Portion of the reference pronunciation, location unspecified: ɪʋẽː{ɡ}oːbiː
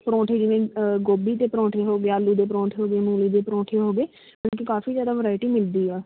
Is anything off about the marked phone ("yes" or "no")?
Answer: no